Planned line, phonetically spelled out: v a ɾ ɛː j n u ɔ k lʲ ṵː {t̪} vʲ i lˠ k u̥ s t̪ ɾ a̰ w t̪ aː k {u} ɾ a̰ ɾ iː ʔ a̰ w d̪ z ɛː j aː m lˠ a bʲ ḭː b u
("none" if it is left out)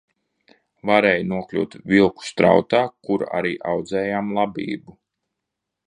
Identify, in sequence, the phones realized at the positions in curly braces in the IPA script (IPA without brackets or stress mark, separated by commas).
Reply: t̪, u